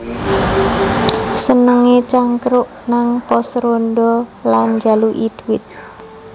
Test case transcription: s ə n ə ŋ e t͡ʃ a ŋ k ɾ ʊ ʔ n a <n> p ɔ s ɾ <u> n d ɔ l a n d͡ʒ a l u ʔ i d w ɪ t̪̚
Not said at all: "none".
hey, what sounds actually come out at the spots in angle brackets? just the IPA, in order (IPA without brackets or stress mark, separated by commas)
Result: ŋ, o